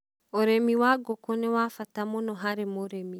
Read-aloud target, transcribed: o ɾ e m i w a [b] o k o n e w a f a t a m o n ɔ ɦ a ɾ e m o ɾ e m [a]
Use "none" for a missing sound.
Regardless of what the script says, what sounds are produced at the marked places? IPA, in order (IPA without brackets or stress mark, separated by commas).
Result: ɡ, i